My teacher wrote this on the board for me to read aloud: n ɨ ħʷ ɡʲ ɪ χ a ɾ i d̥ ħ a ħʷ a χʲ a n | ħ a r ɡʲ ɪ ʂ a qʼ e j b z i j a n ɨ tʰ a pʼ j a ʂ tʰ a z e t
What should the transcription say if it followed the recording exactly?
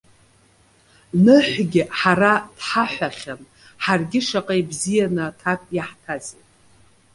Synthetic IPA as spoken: n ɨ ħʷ ɡʲ ɪ ħ a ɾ a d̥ ħ a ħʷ a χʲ a n | ħ a r ɡʲ ɪ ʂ a qʼ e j b z i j a n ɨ tʰ a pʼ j a ħ tʰ a z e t